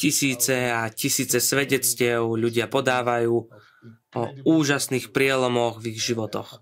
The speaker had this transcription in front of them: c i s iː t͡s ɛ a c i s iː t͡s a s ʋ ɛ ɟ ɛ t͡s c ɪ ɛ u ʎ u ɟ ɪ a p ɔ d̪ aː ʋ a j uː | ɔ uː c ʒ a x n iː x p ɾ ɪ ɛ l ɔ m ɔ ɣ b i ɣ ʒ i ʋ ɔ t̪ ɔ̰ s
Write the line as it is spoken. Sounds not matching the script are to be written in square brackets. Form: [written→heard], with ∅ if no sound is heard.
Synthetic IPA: c i s iː t͡s ɛ a c i s iː t͡s [a→ɛ] s ʋ ɛ ɟ ɛ t͡s c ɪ ɛ [u→ʊ] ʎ u ɟ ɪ a p ɔ d̪ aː ʋ a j uː | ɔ uː [c→∅] ʒ a [x→s] n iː x p ɾ ɪ ɛ l ɔ m ɔ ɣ [b→v] i ɣ ʒ i ʋ ɔ t̪ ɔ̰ [s→x]